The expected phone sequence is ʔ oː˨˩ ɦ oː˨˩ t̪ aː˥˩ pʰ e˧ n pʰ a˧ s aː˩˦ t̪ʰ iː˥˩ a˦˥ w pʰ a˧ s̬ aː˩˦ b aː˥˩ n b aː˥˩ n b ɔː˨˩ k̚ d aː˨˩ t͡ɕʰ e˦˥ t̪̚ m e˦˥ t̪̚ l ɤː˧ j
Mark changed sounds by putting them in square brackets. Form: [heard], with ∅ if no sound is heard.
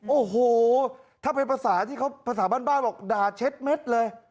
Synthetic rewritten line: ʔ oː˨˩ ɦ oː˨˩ [t̪ʰ] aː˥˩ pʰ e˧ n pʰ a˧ s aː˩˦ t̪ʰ iː˥˩ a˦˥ w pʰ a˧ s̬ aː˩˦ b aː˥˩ n b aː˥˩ n b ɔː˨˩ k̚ d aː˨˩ t͡ɕʰ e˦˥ t̪̚ m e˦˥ t̪̚ l ɤː˧ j